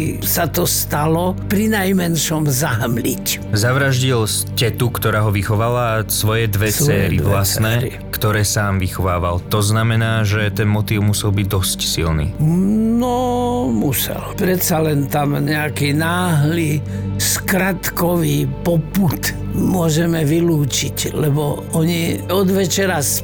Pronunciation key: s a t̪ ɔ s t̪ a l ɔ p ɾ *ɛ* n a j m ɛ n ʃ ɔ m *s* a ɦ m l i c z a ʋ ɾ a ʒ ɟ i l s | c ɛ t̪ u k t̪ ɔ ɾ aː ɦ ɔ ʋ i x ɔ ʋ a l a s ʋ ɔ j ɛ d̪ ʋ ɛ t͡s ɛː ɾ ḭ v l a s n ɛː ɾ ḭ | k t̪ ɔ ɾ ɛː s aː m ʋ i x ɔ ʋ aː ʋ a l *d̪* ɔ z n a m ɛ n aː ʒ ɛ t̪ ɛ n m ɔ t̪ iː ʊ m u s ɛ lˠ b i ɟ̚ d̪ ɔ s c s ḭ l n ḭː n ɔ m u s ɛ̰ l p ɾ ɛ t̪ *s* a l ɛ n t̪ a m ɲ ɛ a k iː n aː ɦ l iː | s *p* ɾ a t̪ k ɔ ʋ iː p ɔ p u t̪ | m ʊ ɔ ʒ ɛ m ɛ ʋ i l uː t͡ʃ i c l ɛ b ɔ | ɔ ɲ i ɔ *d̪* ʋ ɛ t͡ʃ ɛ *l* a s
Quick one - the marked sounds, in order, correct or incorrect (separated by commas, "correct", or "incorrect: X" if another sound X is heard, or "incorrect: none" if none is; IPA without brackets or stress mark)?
incorrect: i, incorrect: z, incorrect: t̪, correct, incorrect: k, correct, incorrect: ɾ